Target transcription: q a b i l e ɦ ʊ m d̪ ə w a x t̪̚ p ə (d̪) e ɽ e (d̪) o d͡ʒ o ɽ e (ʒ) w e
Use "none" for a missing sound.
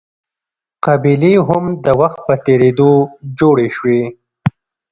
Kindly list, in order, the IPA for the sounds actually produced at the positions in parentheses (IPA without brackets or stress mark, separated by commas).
t̪, d̪, ʃ